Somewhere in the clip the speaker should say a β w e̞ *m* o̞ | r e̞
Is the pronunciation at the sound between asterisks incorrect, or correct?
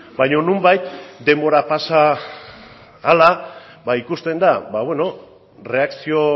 incorrect